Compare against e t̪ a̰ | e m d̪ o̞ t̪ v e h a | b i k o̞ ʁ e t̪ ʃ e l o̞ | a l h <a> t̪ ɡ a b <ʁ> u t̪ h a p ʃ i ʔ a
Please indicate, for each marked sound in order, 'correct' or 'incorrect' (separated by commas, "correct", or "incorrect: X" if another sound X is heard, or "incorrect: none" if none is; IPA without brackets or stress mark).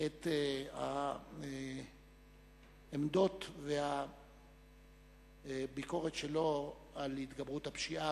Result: incorrect: i, correct